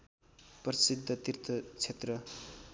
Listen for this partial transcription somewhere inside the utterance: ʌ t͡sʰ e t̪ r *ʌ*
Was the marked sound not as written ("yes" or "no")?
no